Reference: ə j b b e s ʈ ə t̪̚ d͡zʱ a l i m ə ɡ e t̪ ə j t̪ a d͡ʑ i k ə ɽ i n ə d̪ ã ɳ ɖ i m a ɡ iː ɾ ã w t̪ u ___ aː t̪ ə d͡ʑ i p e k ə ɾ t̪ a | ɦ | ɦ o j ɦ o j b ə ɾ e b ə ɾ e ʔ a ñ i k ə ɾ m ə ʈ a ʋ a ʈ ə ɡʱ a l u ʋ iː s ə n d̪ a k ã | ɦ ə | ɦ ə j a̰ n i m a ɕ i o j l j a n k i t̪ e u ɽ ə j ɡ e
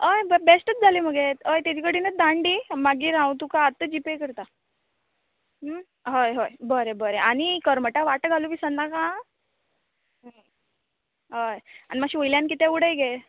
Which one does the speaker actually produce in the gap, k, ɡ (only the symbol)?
k